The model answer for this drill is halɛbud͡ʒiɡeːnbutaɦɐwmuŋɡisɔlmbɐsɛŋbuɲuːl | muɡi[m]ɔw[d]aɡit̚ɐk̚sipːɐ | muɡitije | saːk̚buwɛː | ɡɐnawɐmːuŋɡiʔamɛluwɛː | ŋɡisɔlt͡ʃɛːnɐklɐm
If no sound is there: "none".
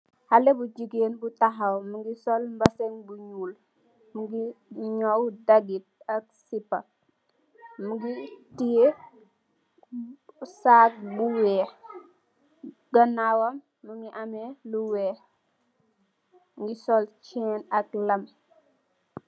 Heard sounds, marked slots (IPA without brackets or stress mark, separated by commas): ɲ, d